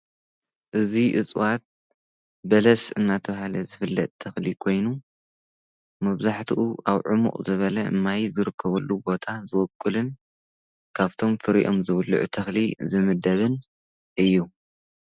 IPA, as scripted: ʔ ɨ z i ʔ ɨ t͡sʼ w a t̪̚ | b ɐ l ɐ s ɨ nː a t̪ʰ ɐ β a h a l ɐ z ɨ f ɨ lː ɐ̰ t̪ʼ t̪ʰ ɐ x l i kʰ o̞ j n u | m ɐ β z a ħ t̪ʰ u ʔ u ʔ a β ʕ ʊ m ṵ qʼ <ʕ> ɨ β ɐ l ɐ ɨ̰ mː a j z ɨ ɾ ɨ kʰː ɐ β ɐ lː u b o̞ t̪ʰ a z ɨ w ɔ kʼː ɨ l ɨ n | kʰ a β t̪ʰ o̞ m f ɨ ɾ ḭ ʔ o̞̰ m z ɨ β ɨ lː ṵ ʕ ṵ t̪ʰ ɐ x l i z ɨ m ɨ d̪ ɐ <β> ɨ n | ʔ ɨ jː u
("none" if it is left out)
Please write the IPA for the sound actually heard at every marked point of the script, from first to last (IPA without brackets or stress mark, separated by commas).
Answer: z, β